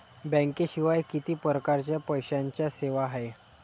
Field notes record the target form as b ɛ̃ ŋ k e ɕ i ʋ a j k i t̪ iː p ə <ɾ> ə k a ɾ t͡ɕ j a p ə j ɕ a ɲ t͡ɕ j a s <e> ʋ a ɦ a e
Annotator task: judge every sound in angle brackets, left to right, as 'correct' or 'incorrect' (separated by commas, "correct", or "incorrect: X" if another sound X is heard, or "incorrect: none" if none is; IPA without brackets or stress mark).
correct, correct